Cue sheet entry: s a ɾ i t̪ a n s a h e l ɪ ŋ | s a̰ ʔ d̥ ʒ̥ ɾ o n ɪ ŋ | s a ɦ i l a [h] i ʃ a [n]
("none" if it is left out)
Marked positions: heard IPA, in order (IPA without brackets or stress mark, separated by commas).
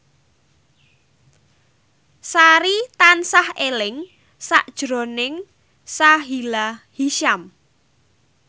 h, m